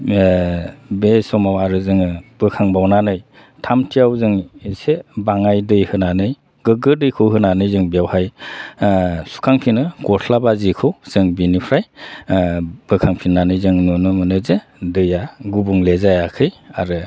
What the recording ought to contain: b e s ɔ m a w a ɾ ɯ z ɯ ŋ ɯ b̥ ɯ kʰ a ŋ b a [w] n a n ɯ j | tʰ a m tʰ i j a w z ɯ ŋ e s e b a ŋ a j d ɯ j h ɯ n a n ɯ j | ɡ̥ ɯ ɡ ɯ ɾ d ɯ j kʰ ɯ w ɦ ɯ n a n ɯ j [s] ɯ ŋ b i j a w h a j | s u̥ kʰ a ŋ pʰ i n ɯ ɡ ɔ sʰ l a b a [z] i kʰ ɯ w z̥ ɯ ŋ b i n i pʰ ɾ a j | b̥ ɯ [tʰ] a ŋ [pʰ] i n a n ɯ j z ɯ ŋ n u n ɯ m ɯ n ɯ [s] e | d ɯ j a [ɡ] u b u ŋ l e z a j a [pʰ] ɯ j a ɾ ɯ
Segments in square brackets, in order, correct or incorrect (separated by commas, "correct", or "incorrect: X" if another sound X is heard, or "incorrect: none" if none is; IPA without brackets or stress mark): correct, incorrect: z, correct, incorrect: kʰ, correct, incorrect: z, correct, incorrect: kʰ